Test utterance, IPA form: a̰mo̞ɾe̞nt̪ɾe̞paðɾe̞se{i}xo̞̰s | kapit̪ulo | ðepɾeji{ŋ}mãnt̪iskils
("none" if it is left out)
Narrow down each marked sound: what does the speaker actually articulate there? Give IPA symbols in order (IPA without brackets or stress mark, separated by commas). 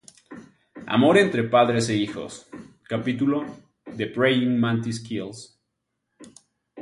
i, ŋ